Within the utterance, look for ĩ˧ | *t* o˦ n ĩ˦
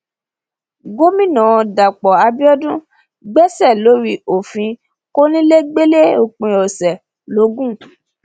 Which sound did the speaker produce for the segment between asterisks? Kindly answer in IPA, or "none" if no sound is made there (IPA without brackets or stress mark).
k